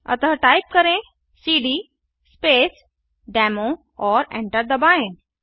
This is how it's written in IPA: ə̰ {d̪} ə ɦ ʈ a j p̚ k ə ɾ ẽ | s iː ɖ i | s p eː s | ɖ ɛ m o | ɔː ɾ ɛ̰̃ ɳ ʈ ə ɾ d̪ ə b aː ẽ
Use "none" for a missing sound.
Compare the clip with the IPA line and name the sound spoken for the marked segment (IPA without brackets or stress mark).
t̪